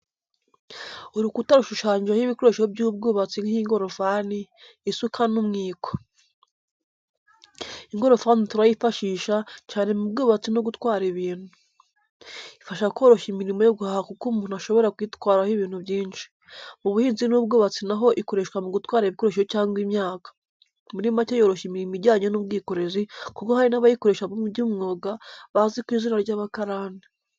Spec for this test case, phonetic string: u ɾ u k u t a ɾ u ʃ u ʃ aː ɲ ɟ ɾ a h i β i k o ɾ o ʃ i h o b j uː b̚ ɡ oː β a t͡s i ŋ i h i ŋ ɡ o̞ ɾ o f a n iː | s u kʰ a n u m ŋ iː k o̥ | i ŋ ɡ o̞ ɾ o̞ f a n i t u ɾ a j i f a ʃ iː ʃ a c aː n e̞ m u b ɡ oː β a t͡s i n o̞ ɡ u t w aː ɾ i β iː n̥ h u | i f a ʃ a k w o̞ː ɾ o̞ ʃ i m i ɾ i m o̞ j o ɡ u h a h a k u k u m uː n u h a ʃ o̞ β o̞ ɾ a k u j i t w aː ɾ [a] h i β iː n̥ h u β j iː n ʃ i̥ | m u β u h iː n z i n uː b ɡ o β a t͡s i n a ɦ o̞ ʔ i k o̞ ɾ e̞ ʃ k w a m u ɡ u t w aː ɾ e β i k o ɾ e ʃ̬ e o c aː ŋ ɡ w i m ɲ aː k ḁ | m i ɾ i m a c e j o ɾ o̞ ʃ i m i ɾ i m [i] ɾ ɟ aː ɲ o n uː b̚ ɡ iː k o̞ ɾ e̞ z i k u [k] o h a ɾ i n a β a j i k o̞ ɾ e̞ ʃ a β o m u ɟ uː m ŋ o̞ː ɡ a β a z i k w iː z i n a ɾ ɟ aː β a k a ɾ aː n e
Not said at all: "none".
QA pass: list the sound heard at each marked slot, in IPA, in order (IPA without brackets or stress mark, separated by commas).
a, i, k